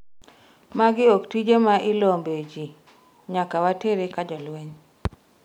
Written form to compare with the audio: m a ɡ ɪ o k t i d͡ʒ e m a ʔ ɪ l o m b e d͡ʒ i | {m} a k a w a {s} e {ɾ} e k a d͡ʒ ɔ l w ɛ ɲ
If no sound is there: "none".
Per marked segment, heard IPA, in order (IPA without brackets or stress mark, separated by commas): ɲ, t, ɾ